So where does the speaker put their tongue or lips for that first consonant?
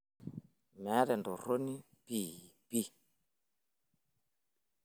lips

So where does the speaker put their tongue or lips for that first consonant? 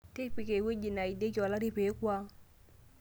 tongue tip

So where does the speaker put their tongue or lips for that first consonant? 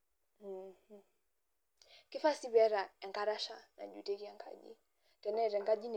velum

